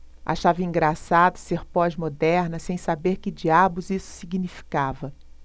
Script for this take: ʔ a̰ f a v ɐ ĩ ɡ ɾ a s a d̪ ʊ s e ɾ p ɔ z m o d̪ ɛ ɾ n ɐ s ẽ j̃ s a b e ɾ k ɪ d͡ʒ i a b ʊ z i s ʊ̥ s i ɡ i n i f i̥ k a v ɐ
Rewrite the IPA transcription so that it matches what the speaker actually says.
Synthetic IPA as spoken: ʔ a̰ ʃ a v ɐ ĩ ɡ ɾ a s a d̪ ʊ s e ɾ p ɔ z m o d̪ ɛ ɾ n ɐ s ẽ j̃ s a b e ɾ k ɪ d͡ʒ i a b ʊ z i s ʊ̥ s i ɡ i n i f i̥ k a v ɐ